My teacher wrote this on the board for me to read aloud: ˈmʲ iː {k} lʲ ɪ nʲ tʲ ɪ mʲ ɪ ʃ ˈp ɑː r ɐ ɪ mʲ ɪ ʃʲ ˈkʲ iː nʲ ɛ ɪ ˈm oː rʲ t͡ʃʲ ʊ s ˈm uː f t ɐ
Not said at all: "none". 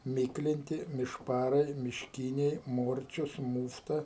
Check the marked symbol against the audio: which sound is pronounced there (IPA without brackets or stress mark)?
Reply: k